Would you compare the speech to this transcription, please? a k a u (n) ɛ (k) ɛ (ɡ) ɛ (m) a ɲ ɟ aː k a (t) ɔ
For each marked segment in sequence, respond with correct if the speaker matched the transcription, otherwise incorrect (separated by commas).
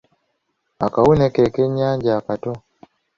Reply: correct, correct, incorrect, incorrect, correct